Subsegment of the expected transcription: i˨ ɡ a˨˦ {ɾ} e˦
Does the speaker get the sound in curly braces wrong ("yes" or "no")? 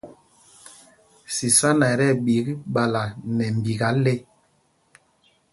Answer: yes